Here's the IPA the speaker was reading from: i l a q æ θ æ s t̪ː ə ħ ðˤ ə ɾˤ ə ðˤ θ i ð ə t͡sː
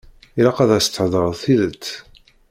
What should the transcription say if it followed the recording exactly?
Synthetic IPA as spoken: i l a q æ ð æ s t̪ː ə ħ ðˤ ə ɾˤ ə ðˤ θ i ð ə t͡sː